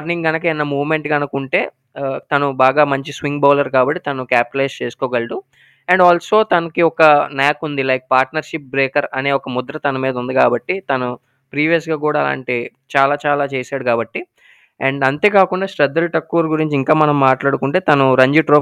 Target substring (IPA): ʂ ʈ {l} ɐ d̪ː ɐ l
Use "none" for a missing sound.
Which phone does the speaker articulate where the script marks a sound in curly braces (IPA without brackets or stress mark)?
ɾ